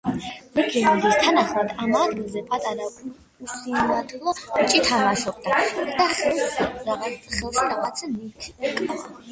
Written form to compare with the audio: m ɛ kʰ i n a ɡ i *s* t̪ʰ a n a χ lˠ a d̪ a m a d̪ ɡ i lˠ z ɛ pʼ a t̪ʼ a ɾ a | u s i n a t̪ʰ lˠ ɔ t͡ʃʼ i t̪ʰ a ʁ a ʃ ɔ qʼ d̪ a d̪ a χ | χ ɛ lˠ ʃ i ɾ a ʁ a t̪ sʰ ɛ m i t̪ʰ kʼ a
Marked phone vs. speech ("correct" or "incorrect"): correct